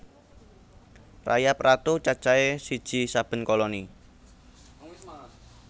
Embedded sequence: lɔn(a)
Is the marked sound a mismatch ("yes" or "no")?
yes